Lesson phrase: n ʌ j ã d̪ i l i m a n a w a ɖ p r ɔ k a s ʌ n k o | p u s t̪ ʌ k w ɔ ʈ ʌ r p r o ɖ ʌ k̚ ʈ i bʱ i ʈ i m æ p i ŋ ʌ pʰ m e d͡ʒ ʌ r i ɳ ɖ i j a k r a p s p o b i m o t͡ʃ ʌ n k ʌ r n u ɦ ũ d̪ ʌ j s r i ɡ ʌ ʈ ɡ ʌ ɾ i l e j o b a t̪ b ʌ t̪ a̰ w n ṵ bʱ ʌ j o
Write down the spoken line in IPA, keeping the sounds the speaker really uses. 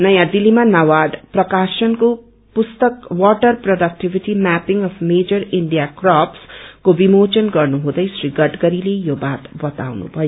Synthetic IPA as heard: n ʌ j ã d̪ i l i m a n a w a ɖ p r ʌ k a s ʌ n k o | p u s t̪ ʌ k w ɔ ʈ ʌ r p r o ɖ ʌ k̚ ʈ i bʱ i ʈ i m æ p i ŋ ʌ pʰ m e d͡ʒ ʌ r i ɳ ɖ i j a k r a p s k o b i m o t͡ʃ ʌ n ɡ ʌ r n u ɦ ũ d̪ ʌ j s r i ɡ ʌ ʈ ɡ ʌ ɾ i l e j o b a t̪ b ʌ t̪ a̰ w n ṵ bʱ ʌ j o

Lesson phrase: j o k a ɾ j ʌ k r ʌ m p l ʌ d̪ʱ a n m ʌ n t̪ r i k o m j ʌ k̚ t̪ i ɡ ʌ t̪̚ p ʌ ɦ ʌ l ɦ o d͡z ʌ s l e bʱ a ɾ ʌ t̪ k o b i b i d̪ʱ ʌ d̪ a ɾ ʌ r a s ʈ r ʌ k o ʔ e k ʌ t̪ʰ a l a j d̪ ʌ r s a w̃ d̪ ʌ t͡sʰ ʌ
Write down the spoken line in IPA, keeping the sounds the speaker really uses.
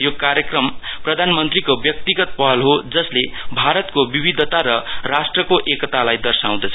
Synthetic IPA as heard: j o k a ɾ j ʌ k r ʌ m p r ʌ d̪ʱ a n m ʌ n t̪ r i k o b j ʌ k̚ t̪ i ɡ ʌ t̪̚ p ʌ ɦ ʌ l ɦ o d͡z ʌ s l e bʱ a ɾ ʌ t̪ k o b i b i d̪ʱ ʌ t̪ a ɾ ʌ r a s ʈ r ʌ k o ʔ e k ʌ t̪ a l a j d̪ ʌ r s a w̃ d̪ ʌ t͡sʰ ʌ

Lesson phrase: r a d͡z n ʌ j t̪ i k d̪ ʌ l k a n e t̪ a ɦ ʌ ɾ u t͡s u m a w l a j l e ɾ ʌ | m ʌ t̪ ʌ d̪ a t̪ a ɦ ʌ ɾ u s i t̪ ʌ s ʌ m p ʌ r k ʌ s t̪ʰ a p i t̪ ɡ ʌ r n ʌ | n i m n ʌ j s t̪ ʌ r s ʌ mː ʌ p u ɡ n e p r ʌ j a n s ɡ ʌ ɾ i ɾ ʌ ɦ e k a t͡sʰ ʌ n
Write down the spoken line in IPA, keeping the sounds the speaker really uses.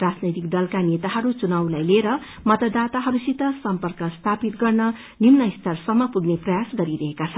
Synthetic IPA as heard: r a d͡z n ʌ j t̪ i k d̪ ʌ l k a n e t̪ a ɦ ʌ ɾ u t͡s u n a w l a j l e ɾ ʌ | m ʌ t̪ ʌ d̪ a t̪ a ɦ ʌ ɾ u s i t̪ ʌ s ʌ m p ʌ r k ʌ s t̪ʰ a p i t̪ ɡ ʌ r n ʌ | n i m n ʌ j s t̪ ʌ r s ʌ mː ʌ p u ɡ n e p r ʌ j a s ɡ ʌ ɾ i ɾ ʌ ɦ e k a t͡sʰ ʌ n

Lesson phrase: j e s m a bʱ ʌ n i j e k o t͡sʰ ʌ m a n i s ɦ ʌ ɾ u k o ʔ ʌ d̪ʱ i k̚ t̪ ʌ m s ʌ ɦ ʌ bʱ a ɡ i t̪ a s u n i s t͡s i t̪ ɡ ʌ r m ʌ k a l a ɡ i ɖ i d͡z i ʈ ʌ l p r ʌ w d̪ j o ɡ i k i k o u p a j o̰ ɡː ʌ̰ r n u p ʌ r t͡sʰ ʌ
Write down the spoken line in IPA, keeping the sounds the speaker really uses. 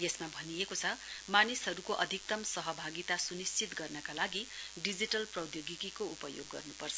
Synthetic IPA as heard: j e s m a bʱ ʌ n i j e k o t͡sʰ ʌ m a n i s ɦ ʌ ɾ u k o ʔ ʌ d̪ʱ i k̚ t̪ ʌ m s ʌ ɦ ʌ bʱ a ɡ i t̪ a s u n i s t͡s i t̪ ɡ ʌ r n ʌ k a l a ɡ i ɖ i d͡z i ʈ ʌ l p r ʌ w d̪ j o ɡ i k i k o u p ʌ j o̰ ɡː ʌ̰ r n u p ʌ r t͡sʰ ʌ

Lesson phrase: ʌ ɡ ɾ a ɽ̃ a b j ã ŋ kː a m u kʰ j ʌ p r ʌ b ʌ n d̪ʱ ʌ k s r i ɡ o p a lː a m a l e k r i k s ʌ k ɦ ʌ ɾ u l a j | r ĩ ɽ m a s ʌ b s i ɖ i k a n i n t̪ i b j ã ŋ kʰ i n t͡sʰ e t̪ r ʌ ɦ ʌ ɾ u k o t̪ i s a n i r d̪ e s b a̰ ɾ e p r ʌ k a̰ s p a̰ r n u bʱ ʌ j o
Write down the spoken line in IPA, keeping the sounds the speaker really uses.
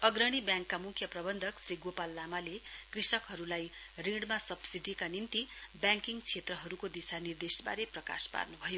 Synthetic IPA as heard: ʌ ɡ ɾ ʌ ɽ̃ i b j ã ŋ kː a m u kʰ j ʌ p r ʌ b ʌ n d̪ʱ ʌ k s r i ɡ o p a lː a m a l e k r i s ʌ k ɦ ʌ ɾ u l a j | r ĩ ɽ m a s ʌ b s i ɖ i k a n i n t̪ i b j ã ŋ k i ŋ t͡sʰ e t̪ r ʌ ɦ ʌ ɾ u k o d̪ i s a n i r d̪ e s b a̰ ɾ e p r ʌ k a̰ s p a̰ r n u bʱ ʌ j o

